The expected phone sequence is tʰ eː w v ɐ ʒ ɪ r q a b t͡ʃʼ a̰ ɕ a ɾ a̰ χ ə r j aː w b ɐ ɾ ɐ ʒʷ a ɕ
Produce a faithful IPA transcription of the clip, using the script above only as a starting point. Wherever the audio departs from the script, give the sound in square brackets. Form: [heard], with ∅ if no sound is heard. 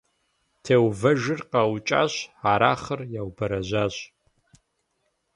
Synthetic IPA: tʰ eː w v ɐ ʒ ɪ r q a [w] t͡ʃʼ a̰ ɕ a ɾ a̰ χ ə r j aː w b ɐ ɾ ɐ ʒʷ a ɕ